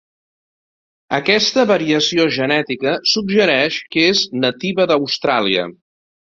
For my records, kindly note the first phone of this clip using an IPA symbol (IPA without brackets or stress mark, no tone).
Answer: ə